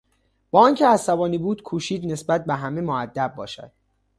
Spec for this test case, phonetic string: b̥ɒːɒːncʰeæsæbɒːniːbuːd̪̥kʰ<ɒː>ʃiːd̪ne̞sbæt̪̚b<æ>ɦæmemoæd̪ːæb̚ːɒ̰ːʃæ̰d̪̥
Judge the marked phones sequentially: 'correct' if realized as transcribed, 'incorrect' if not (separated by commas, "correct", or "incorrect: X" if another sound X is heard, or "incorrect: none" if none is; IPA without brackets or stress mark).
incorrect: uː, incorrect: e